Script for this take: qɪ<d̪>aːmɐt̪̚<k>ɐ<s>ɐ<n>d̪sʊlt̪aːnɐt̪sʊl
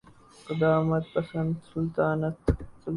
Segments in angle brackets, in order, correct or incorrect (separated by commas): correct, incorrect, correct, correct